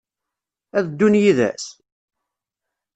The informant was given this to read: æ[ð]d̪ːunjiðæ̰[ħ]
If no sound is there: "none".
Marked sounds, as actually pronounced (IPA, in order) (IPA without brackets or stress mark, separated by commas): ð, s